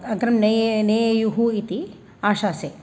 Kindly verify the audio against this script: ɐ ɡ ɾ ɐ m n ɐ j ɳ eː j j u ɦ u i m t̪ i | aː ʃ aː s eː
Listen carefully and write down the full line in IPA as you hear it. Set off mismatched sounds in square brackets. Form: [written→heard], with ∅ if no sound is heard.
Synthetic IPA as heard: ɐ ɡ ɾ ɐ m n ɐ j [ɳ→n] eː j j u ɦ u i [m→∅] t̪ i | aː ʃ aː s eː